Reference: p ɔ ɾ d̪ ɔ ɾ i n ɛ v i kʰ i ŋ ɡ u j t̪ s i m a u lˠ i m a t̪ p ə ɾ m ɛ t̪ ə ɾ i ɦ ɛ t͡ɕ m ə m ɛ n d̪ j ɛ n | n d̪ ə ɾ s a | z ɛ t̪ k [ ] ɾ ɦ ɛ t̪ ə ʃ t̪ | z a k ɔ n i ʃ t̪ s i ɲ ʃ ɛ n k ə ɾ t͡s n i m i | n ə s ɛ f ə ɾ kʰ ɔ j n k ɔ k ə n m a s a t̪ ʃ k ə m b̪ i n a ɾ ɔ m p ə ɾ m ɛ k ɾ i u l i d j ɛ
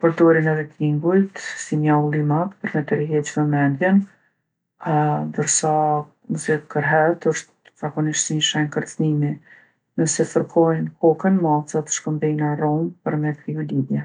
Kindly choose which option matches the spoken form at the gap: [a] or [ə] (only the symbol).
ə